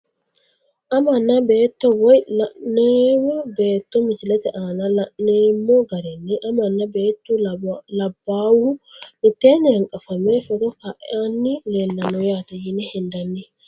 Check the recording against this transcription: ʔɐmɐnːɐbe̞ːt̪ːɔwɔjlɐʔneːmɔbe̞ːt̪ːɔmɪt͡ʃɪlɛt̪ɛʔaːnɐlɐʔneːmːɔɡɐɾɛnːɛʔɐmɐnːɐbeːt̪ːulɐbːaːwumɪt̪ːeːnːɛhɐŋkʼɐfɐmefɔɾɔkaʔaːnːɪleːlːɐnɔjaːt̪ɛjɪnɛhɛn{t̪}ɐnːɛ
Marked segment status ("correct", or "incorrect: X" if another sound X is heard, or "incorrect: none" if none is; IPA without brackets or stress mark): incorrect: d̪